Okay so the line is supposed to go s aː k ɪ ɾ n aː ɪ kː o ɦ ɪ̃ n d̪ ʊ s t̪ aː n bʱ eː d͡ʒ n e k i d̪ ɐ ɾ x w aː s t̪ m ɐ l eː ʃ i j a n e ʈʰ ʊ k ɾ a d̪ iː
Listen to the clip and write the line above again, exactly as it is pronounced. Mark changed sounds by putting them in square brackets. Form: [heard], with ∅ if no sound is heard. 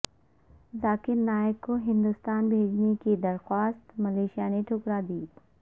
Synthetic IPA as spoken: [z] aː k ɪ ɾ n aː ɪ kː o ɦ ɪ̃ n d̪ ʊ s t̪ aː n bʱ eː d͡ʒ n e k i d̪ ɐ ɾ x w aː s t̪ m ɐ l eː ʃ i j a n e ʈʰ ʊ k ɾ a d̪ iː